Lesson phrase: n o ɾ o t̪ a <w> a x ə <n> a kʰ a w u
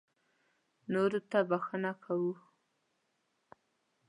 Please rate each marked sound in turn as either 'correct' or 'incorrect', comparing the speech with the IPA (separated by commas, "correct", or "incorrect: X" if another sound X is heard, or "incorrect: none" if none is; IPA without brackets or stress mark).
incorrect: b, correct